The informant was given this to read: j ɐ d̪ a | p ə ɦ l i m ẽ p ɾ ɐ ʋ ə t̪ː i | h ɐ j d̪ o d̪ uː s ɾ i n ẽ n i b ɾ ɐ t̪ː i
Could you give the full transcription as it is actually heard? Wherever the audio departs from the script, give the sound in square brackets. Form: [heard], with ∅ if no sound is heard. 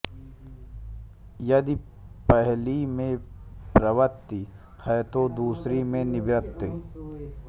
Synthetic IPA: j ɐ d̪ [i] | p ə ɦ l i m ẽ p ɾ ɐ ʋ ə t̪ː i | h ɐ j [t̪] o d̪ uː s ɾ i [m] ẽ n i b ɾ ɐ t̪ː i